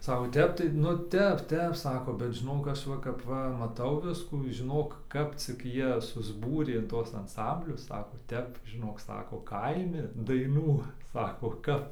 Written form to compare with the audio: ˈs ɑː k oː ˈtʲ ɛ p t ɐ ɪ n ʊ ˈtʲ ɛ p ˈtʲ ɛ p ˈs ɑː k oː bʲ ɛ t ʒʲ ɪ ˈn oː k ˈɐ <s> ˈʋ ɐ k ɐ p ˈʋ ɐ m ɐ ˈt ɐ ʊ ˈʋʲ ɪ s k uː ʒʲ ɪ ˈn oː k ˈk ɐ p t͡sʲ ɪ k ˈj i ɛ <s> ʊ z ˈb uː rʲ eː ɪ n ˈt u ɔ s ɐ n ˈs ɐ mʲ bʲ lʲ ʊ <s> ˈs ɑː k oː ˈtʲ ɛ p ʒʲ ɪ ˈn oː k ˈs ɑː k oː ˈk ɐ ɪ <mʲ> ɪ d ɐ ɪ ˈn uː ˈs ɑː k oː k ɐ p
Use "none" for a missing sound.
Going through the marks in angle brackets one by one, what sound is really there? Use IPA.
ʃ, s, s, mʲ

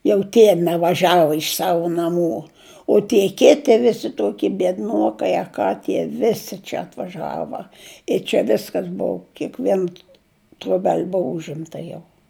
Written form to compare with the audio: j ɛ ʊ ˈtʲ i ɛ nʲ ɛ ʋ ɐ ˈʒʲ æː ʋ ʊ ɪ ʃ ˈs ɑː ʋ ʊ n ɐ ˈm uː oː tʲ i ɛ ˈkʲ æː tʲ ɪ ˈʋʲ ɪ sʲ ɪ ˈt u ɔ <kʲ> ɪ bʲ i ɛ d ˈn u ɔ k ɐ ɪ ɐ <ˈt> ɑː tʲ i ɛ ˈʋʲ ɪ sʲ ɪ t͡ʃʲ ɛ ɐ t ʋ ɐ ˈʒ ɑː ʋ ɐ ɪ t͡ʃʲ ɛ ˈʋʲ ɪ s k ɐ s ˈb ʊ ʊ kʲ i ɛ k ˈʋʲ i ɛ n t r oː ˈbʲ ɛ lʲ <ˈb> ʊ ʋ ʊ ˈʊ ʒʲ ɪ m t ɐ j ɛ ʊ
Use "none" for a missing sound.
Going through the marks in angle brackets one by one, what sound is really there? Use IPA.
kʲ, k, b

